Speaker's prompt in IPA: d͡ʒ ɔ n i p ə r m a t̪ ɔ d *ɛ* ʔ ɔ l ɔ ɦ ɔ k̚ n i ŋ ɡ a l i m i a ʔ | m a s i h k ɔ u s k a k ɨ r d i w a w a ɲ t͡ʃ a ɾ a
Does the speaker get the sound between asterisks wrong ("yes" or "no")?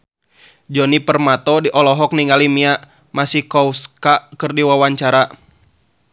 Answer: yes